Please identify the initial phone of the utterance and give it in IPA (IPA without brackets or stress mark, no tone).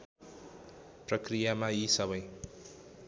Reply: p